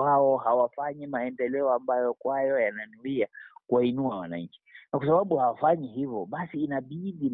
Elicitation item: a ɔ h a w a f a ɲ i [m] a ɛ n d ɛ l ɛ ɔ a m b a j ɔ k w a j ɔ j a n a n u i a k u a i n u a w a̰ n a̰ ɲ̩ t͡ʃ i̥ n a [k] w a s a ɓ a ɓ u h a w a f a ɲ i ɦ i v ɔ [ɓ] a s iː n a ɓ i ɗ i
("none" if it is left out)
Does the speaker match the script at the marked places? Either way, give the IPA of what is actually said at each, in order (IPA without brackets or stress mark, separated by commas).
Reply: m, k, ɓ